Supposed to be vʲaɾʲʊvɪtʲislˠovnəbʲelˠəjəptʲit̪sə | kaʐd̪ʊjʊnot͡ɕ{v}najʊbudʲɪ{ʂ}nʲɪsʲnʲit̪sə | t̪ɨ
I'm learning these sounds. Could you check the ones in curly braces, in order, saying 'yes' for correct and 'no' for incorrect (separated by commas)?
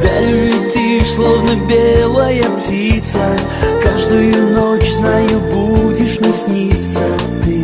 no, yes